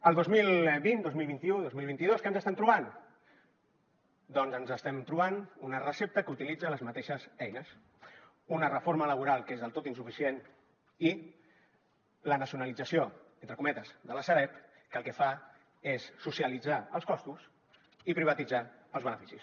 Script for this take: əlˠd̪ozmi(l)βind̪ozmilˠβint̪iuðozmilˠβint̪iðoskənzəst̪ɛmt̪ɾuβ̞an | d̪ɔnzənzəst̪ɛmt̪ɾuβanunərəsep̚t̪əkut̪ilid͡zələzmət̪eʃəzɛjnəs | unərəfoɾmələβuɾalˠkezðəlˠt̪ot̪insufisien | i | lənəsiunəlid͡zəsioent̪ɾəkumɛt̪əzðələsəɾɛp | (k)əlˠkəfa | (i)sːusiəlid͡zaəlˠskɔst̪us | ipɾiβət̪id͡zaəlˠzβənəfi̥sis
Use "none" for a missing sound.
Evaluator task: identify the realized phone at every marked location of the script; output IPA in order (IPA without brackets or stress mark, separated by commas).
l, k, e